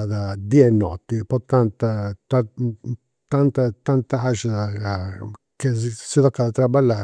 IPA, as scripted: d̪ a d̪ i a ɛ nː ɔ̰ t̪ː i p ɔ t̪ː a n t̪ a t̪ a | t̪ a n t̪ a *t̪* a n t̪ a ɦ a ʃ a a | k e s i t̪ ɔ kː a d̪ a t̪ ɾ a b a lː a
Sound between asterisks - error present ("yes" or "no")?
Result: no